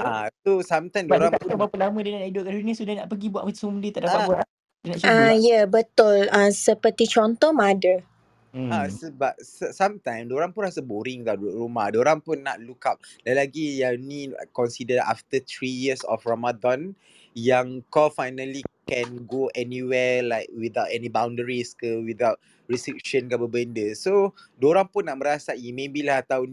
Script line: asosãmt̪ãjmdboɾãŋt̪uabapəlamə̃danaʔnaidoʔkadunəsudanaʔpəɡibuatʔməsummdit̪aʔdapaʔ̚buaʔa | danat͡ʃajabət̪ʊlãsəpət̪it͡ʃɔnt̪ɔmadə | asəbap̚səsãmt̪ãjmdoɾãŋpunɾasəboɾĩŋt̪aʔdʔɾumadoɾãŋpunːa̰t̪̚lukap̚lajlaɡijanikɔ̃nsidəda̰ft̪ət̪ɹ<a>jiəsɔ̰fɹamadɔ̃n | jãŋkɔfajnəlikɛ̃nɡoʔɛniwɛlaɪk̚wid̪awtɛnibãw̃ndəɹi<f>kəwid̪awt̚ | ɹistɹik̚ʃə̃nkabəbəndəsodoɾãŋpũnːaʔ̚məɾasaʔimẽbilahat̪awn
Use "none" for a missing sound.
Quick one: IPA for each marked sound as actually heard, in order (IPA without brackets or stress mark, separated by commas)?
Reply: i, s